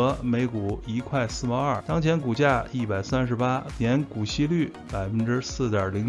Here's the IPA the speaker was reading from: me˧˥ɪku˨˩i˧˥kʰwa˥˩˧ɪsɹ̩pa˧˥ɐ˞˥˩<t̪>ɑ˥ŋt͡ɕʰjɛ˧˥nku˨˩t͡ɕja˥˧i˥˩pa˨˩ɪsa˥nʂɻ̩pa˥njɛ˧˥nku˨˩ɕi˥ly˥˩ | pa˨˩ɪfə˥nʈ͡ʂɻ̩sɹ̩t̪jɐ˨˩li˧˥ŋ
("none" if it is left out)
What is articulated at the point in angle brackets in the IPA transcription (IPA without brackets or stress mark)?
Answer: t̪